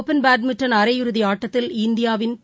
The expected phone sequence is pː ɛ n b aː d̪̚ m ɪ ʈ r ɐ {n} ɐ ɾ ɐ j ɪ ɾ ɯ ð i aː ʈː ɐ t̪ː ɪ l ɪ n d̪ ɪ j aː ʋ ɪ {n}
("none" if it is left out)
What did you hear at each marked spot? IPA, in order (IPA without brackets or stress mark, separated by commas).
n, n